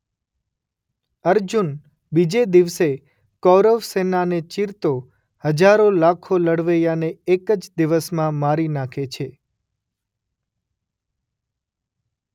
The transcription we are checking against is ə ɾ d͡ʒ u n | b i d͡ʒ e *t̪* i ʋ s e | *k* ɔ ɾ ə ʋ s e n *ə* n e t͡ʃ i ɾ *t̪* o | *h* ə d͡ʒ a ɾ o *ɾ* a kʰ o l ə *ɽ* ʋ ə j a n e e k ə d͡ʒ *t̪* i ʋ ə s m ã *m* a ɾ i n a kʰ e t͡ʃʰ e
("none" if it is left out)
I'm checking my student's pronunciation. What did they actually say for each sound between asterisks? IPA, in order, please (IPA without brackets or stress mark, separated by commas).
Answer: d̪, k, a, t̪, h, l, ɽ, d̪, m